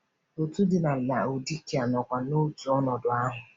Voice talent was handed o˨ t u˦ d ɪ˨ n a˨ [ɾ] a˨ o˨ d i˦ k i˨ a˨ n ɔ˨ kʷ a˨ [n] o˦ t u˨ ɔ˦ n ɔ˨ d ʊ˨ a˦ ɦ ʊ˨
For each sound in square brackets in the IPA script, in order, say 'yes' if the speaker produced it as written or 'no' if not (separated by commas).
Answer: no, yes